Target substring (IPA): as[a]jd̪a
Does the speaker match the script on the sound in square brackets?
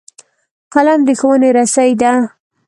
yes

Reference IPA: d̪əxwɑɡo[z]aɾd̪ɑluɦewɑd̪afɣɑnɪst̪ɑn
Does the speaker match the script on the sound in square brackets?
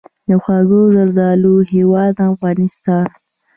yes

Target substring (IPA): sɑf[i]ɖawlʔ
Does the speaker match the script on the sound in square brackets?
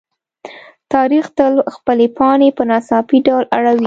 yes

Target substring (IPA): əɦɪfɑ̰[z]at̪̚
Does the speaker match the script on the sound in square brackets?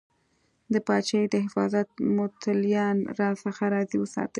yes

